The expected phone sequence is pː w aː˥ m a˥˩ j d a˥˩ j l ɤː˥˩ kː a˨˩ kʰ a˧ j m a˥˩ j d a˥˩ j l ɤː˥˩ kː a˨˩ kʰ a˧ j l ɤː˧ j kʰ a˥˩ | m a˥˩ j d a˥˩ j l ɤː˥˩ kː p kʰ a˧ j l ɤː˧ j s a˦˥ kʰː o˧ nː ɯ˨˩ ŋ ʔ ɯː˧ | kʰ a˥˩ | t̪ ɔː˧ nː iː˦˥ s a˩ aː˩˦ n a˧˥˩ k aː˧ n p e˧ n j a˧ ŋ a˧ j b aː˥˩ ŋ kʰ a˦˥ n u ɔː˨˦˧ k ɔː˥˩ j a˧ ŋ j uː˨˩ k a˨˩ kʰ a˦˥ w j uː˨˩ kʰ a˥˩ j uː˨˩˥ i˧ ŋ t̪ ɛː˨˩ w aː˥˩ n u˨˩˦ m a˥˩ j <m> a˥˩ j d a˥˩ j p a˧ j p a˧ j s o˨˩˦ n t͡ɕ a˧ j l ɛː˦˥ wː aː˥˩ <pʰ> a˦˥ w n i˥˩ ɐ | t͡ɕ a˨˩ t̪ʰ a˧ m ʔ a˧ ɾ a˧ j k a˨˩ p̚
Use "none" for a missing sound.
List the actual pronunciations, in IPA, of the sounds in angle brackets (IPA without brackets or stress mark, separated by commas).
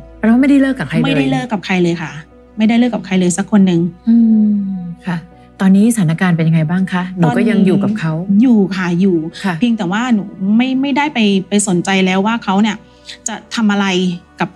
m, kʰ